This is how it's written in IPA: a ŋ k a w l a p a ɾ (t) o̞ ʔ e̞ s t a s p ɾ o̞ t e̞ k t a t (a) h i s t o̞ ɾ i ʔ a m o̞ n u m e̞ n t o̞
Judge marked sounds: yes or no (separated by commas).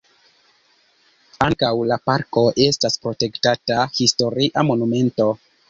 no, yes